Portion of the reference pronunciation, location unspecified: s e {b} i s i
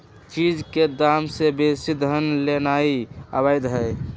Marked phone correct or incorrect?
correct